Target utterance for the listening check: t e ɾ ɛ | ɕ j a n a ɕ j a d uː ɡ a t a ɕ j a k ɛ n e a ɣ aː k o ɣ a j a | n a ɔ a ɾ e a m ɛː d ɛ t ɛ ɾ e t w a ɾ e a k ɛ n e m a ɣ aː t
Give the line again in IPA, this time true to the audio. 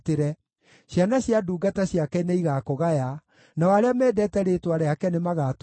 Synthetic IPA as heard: t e ɾ ɛ | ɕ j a n a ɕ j a d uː ɡ a t a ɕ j a k ɛ n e i ɣ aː k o ɣ a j a | n a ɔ a ɾ e a m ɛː d ɛ t ɛ ɾ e t w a ɾ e a k ɛ n e m a ɣ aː t